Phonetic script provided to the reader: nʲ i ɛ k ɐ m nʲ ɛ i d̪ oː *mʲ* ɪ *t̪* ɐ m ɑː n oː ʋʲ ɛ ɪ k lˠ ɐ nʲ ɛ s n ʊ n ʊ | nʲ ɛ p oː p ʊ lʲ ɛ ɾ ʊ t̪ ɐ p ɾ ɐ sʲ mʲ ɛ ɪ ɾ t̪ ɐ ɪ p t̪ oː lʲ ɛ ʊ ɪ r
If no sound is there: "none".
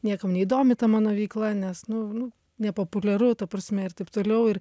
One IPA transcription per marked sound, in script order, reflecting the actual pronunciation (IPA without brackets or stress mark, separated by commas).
mʲ, t̪